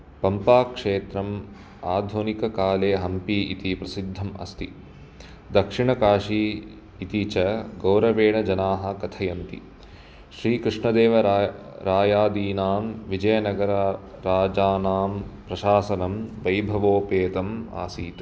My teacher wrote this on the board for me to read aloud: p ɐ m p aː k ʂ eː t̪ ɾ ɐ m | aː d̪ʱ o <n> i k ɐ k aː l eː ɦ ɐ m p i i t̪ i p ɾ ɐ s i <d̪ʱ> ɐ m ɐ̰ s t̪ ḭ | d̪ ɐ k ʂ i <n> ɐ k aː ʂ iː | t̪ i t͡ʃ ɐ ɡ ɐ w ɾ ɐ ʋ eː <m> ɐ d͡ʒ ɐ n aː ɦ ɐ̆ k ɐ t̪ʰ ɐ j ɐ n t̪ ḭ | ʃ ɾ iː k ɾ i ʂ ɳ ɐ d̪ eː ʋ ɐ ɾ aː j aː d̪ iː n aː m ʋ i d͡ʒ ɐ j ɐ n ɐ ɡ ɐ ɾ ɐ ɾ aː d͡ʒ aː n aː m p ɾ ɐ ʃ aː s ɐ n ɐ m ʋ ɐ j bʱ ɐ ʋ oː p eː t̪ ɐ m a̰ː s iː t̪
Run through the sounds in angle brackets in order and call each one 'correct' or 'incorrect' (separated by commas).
correct, incorrect, incorrect, incorrect